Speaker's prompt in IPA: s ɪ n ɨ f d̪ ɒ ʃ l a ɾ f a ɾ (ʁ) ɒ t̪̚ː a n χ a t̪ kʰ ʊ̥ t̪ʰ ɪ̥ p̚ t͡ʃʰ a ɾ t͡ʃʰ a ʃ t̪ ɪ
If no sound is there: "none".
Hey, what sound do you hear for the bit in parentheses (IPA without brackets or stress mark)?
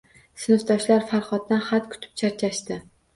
χ